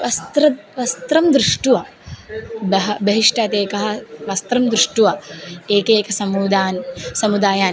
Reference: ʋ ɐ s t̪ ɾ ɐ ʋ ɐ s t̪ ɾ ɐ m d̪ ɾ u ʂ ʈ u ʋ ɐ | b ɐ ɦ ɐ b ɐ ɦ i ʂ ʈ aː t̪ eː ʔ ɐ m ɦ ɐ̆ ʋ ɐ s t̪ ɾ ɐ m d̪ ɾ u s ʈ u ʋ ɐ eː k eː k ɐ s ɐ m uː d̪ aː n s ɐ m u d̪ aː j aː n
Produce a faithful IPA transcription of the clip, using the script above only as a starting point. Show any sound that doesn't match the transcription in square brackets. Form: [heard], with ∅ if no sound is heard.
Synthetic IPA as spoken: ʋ ɐ s t̪ ɾ ɐ ʋ ɐ s t̪ ɾ ɐ m d̪ ɾ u ʂ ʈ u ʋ ɐ | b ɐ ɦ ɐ b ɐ ɦ i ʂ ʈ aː t̪ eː [k] ɐ [∅] ɦ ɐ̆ ʋ ɐ s t̪ ɾ ɐ m d̪ ɾ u [ʂ] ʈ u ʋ ɐ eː k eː k ɐ s ɐ m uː d̪ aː n s ɐ m u d̪ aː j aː n